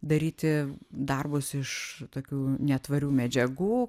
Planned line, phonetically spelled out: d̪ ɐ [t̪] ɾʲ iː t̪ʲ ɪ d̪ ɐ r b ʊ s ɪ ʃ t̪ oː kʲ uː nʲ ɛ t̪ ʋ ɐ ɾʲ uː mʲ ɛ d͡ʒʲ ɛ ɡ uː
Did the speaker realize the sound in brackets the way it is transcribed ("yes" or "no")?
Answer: no